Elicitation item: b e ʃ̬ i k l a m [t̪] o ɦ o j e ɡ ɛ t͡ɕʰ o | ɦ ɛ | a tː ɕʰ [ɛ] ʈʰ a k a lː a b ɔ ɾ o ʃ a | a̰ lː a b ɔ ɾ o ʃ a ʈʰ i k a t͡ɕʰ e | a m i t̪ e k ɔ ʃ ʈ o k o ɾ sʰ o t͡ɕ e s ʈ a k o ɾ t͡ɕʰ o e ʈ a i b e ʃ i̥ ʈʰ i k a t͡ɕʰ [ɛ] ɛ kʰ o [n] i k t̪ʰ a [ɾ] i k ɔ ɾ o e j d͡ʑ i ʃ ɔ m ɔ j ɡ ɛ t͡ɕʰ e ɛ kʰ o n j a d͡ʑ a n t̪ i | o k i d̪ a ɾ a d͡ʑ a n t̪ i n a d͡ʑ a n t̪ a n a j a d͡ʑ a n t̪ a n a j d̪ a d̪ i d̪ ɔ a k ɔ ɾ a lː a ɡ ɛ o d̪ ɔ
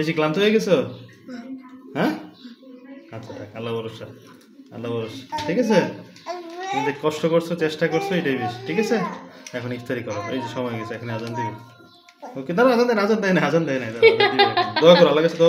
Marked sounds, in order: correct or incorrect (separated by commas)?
correct, incorrect, incorrect, correct, correct